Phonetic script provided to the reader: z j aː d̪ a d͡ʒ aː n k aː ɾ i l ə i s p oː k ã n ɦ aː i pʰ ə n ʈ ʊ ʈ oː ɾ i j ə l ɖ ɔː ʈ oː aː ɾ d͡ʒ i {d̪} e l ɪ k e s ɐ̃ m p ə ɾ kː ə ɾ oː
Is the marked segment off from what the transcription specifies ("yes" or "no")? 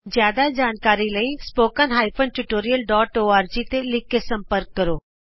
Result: yes